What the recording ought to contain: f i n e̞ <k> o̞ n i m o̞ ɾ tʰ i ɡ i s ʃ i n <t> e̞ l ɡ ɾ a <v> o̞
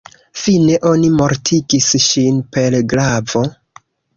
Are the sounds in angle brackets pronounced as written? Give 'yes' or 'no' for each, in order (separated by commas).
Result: no, no, yes